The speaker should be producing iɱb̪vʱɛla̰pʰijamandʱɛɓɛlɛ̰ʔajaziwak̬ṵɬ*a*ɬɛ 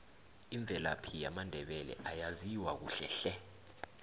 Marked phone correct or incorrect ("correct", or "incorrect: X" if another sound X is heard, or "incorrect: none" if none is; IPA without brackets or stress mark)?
incorrect: ɛ